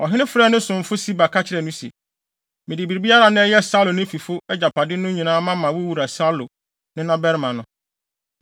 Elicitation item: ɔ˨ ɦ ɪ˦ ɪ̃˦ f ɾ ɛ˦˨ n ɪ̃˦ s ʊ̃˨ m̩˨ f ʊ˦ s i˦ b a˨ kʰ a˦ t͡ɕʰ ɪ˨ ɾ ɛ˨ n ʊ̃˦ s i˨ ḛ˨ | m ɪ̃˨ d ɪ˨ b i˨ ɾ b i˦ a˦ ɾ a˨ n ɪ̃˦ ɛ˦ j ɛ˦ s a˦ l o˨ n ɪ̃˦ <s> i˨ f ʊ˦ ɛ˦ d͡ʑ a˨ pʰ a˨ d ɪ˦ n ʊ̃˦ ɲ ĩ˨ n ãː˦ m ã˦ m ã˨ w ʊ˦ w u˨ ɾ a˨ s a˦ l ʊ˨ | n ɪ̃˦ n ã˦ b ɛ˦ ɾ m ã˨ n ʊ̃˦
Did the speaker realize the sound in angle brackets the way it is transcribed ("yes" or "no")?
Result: no